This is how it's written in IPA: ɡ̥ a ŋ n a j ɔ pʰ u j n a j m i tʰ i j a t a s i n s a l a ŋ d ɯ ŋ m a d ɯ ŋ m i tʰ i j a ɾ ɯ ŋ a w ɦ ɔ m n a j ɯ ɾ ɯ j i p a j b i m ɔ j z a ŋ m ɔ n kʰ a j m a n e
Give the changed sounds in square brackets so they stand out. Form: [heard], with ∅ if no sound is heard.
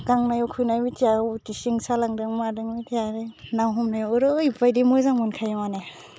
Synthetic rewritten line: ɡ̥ a ŋ n a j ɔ [kʰ] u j n a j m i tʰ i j a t [i] s i [ŋ] s a l a ŋ d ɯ ŋ m a d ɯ ŋ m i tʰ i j a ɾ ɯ [n] a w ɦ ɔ m n a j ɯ ɾ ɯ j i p a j [d] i m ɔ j z a ŋ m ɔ n kʰ a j m a n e

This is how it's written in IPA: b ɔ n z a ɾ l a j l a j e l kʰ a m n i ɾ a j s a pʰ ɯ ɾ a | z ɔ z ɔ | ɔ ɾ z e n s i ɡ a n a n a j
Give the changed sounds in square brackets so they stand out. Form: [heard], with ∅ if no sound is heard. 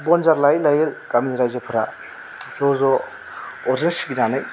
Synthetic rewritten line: b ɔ n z a ɾ l a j l a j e l [k] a m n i ɾ a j [z] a pʰ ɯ ɾ a | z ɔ z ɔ | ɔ ɾ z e n s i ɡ [i] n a n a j

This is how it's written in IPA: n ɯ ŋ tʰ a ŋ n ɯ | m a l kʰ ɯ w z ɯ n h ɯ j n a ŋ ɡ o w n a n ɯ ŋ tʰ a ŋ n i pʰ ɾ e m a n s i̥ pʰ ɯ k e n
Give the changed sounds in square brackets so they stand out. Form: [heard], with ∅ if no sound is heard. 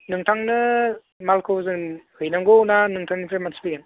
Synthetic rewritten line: n ɯ ŋ tʰ a ŋ n ɯ | m a l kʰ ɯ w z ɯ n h ɯ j n a ŋ ɡ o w n a n ɯ ŋ tʰ a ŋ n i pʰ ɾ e m a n s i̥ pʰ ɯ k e n

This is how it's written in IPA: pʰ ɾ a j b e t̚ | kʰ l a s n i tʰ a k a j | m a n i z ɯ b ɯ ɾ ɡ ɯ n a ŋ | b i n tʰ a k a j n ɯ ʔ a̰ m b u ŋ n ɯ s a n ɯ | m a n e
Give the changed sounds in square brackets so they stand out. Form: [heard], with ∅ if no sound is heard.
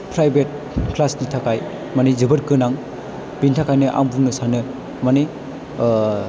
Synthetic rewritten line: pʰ ɾ a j b e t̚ | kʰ l a s n i tʰ a k a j | m a n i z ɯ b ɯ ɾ [k] ɯ n a ŋ | b i n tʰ a k a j n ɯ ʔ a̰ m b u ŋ n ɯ s a n ɯ | m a n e

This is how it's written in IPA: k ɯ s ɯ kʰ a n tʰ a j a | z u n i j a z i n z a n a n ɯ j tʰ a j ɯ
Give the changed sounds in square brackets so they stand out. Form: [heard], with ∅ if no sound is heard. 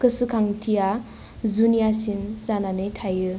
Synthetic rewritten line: k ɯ s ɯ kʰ a [ŋ] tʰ [i] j a | z u n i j a [s] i n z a n a n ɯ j tʰ a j ɯ

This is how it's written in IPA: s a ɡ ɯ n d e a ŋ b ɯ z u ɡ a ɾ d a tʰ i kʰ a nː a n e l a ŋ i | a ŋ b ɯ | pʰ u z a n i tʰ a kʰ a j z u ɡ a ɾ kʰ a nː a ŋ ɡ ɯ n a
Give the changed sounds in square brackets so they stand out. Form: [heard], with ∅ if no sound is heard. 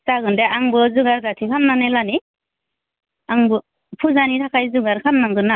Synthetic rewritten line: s a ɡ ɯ n d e a ŋ b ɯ z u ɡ a ɾ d a tʰ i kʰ a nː a n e l a [n] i | a ŋ b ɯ | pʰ u z a n i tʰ a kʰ a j z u ɡ a ɾ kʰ a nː a ŋ ɡ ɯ n a

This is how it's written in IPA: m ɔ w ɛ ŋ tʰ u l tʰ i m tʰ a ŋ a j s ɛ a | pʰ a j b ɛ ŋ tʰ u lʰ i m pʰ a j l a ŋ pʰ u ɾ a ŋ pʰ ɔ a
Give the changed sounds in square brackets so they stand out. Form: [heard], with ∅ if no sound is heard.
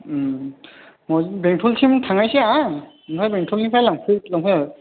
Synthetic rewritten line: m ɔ [b] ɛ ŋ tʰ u l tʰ i m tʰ a ŋ a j s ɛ a | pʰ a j b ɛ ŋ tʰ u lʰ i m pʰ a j l a ŋ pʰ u [l] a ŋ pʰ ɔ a

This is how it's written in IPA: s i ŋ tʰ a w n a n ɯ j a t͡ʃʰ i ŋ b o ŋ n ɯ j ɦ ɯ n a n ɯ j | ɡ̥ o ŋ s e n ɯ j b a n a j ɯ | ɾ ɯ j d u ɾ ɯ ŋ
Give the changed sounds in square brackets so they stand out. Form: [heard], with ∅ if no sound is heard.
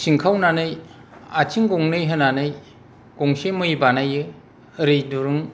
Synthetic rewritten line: s i ŋ [kʰ] a w n a n ɯ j a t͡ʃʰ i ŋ [ɡ] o ŋ n ɯ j ɦ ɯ n a n ɯ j | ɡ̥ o ŋ s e [m] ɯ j b a n a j ɯ | ɾ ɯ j d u ɾ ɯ ŋ

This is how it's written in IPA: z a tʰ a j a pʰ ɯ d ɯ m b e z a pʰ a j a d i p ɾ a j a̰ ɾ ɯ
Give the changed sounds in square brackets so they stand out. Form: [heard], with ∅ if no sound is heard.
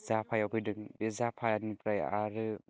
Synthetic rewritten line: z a [pʰ] a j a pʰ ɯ d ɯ [ŋ] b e z a pʰ a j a [n] i p ɾ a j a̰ ɾ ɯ

